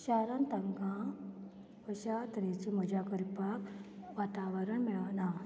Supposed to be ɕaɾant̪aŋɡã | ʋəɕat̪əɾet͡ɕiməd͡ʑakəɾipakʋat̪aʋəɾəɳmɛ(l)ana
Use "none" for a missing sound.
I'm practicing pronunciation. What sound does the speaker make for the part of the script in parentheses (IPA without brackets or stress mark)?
ɭ